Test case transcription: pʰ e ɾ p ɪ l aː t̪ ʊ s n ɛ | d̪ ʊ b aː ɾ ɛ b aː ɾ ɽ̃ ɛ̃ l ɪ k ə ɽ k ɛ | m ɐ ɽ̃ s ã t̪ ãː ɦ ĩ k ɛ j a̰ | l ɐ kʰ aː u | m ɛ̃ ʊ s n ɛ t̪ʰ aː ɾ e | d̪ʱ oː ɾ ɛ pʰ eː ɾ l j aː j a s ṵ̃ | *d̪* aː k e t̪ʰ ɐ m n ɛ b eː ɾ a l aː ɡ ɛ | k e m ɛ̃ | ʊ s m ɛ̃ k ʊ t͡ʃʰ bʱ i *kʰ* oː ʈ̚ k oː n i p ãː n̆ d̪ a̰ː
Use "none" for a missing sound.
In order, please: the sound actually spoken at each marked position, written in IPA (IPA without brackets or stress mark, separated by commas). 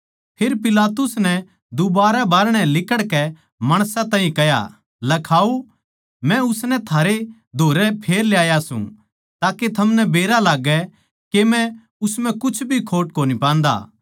t̪, kʰ